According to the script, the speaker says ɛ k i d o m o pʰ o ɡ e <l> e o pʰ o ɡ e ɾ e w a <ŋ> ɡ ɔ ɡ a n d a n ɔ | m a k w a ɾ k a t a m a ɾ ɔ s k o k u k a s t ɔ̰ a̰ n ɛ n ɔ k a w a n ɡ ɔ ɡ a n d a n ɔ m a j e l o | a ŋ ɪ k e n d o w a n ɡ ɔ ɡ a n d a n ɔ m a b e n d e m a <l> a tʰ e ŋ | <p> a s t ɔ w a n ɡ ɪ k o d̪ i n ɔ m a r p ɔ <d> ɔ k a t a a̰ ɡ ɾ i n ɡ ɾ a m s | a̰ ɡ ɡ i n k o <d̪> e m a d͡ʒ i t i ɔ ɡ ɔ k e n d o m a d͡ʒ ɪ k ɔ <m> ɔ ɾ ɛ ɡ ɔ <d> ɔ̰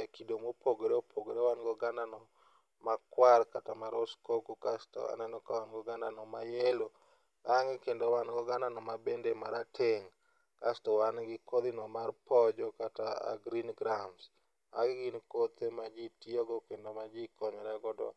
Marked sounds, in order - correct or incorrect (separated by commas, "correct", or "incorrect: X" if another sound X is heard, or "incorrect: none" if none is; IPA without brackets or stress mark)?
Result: incorrect: ɾ, incorrect: n, incorrect: ɾ, incorrect: k, incorrect: d͡ʒ, incorrect: t̪, incorrect: ɲ, correct